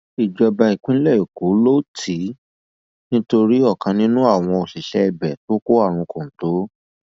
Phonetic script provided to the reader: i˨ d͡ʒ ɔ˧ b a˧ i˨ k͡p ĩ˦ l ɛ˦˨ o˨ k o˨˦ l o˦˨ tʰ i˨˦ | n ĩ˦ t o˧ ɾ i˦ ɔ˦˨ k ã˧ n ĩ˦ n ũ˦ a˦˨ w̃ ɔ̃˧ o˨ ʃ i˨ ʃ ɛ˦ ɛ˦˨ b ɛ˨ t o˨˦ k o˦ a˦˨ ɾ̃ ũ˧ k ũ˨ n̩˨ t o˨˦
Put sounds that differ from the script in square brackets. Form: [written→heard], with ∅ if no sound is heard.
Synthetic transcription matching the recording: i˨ d͡ʒ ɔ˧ b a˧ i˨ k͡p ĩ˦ l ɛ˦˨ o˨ k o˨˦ l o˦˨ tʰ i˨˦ | n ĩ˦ t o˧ ɾ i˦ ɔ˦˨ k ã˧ n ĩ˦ n ũ˦ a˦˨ w̃ ɔ̃˧ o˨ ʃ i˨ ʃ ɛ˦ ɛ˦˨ b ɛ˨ t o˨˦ k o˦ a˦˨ ɾ̃ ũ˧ k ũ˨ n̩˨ t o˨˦